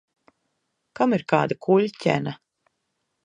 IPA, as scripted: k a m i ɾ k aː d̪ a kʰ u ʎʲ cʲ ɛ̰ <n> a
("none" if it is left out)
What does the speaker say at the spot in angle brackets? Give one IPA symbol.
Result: n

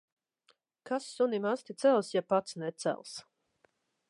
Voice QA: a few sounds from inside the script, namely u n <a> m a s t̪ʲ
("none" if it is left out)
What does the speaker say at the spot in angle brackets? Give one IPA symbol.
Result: i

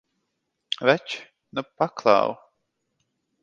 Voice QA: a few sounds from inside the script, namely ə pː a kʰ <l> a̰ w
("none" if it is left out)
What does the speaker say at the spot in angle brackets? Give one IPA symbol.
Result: l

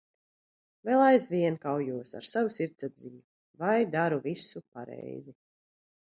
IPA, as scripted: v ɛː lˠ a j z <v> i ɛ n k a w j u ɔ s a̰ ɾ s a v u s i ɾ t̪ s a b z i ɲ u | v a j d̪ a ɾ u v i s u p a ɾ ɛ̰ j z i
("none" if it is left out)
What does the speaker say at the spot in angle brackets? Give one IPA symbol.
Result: v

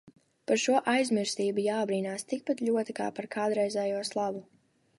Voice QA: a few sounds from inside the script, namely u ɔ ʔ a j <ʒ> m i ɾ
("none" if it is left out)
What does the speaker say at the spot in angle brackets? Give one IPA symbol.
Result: z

